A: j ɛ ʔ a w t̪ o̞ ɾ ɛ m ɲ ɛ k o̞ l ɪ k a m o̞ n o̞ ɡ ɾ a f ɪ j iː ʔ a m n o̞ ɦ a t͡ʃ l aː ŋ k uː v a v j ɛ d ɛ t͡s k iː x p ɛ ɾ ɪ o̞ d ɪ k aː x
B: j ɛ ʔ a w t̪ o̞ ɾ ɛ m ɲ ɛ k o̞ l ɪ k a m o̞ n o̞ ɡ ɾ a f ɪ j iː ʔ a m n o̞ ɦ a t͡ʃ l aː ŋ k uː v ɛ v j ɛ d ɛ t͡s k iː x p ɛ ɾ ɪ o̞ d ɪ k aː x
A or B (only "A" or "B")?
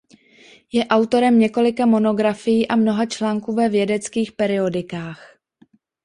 B